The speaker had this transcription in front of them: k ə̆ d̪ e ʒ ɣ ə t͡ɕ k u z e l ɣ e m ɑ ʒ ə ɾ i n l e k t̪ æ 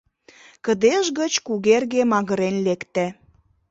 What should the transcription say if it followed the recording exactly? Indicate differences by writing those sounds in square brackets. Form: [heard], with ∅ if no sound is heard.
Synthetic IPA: k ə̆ d̪ e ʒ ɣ ə t͡ɕ k u [ɣ] e [r] ɣ e m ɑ [ɣ] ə ɾ [e] n l e k t̪ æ